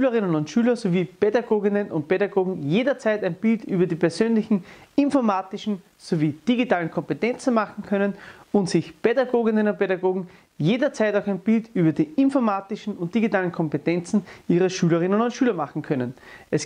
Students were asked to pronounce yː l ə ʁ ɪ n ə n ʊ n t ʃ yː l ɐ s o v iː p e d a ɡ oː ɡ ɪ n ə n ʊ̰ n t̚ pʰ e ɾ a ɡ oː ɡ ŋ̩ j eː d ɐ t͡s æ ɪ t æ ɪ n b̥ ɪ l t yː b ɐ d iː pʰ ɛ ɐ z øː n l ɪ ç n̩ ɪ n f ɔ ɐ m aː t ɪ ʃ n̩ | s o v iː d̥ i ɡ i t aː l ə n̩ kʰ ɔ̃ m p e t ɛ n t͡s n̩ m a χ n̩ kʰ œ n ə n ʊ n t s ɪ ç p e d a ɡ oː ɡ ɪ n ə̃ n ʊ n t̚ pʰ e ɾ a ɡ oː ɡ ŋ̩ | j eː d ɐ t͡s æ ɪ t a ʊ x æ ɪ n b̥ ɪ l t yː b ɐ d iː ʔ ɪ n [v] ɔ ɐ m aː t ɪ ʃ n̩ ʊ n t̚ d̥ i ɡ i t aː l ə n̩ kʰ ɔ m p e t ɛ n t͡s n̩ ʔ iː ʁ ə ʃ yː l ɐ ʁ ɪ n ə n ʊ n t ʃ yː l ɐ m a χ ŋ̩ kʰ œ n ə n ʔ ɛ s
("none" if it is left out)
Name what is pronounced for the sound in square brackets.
f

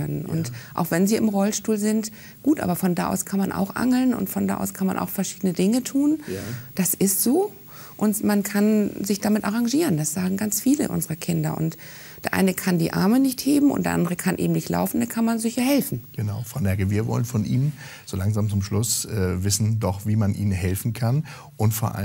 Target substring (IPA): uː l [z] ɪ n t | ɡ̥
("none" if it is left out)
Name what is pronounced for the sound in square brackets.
z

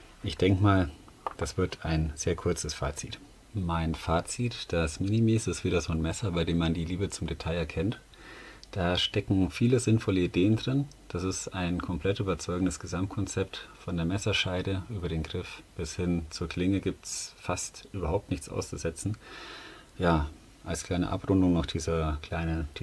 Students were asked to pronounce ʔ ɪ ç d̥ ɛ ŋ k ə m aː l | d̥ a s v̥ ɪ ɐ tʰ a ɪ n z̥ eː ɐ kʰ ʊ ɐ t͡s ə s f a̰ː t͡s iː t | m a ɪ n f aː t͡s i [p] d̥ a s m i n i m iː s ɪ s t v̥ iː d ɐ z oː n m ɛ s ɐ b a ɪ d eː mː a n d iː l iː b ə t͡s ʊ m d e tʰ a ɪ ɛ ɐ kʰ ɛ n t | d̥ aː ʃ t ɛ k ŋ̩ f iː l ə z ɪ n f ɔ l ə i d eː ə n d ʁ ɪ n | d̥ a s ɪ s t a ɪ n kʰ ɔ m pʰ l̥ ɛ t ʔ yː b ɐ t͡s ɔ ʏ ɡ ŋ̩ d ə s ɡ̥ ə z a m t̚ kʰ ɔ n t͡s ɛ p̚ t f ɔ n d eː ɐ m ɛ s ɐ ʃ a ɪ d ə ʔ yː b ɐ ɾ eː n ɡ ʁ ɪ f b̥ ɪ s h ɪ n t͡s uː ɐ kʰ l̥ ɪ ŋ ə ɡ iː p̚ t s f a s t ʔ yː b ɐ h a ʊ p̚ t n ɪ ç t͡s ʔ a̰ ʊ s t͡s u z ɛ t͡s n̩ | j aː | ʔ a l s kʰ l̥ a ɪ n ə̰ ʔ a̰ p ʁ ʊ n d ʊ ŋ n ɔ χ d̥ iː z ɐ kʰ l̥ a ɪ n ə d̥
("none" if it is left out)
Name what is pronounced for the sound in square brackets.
t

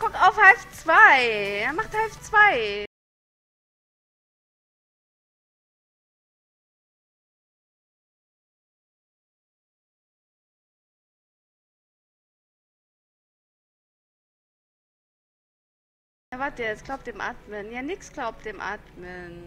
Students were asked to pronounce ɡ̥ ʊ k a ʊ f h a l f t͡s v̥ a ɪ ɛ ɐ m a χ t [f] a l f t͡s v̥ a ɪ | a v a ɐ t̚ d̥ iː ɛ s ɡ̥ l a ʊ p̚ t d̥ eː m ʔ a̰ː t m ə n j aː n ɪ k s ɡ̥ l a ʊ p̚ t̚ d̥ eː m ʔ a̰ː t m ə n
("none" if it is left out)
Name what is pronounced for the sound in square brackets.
h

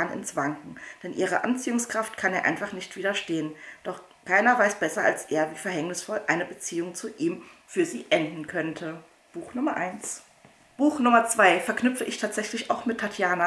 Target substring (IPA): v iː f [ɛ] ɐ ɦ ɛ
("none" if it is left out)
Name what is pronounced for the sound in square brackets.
ɛ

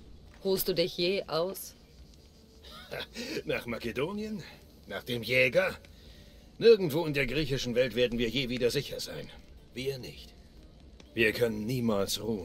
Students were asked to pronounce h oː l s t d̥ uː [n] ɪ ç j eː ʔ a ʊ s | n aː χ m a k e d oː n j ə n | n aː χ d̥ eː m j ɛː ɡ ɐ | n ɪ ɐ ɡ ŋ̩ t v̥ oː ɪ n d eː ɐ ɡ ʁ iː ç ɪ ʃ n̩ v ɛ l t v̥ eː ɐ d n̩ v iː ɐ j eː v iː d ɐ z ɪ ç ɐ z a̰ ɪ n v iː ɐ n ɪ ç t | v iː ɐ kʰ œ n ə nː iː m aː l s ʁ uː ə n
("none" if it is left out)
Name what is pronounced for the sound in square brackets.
d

